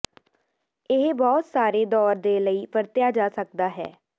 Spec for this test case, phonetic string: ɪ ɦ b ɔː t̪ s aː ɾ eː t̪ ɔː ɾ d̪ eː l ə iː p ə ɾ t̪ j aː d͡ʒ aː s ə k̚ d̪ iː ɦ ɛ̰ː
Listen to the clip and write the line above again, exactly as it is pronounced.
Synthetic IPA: ɪ ɦ b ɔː t̪ s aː ɾ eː d̪ ɔː ɾ d̪ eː l ə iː p ə ɾ t̪ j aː d͡ʒ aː s ə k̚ d̪ aː ɦ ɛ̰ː